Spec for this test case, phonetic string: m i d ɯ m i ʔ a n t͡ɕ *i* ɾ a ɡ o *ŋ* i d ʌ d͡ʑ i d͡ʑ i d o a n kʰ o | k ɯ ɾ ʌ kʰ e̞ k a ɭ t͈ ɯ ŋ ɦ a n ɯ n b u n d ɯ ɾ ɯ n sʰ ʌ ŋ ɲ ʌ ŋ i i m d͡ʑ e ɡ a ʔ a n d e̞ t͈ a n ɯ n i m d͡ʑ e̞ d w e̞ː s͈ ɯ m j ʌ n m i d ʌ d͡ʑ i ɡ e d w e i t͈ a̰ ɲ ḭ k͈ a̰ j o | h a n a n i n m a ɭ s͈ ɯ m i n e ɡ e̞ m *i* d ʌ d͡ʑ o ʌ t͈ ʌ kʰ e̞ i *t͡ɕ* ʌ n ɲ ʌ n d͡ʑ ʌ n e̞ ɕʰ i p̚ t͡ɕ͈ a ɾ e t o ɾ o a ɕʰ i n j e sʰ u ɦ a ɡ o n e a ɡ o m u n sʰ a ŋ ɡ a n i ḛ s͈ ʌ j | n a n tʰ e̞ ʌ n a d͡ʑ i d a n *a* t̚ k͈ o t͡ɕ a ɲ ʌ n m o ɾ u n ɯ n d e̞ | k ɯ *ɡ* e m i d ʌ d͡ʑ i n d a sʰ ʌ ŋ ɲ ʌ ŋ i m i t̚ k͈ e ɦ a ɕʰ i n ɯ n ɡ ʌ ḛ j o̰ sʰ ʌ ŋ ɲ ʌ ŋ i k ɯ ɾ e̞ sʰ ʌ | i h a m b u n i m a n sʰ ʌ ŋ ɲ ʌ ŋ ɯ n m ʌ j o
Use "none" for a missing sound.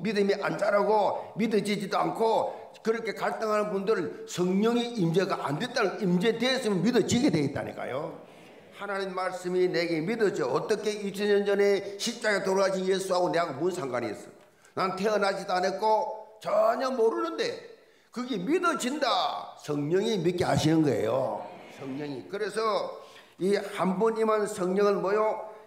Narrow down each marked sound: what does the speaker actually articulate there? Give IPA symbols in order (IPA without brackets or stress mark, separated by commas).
a, m, i, t͡ɕʰ, e, ɡ